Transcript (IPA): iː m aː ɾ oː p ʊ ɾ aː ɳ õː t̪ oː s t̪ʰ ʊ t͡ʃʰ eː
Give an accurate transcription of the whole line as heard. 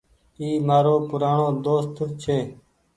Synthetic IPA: iː m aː ɾ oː p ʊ ɾ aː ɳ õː d̪ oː s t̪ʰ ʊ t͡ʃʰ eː